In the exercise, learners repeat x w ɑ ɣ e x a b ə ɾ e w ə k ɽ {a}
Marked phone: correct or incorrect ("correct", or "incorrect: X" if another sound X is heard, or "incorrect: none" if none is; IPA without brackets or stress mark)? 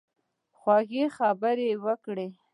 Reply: incorrect: e